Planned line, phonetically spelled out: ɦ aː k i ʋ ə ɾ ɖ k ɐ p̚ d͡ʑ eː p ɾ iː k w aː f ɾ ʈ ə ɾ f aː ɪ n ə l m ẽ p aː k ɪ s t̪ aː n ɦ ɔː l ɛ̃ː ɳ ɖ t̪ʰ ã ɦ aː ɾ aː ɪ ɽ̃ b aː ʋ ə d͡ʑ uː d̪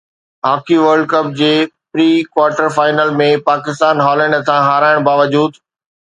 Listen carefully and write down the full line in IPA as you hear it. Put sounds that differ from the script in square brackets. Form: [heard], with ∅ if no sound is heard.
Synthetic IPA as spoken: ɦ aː k i ʋ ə ɾ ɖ k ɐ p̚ d͡ʑ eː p ɾ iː k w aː [∅] ɾ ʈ ə ɾ f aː ɪ n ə l m ẽ p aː k ɪ s t̪ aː n ɦ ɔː l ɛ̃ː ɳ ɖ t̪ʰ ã ɦ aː ɾ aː ɪ ɽ̃ b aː ʋ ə d͡ʑ uː d̪